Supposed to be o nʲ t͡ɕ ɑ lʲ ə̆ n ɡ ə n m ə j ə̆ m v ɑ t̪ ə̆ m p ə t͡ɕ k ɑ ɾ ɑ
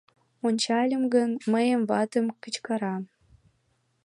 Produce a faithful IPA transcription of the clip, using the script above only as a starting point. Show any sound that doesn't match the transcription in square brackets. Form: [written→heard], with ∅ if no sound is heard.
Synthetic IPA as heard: o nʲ t͡ɕ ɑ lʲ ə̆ [n→m] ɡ ə n m ə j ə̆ m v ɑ t̪ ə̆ m [p→k] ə t͡ɕ k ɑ ɾ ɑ